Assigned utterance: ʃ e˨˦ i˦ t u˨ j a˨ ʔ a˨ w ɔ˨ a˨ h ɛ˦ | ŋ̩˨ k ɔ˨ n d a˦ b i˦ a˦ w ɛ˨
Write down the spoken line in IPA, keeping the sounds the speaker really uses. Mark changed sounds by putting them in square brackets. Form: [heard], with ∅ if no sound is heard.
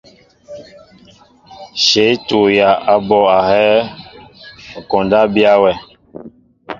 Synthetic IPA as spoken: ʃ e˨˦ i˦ t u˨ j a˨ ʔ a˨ [b] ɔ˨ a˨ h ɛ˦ | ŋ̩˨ k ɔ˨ n d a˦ b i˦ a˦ w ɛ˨